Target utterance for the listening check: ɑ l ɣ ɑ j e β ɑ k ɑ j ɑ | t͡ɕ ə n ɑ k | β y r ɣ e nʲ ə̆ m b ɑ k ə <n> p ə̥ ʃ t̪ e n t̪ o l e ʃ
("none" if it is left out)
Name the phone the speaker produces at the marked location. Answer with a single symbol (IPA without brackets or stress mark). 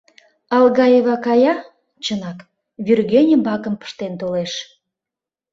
m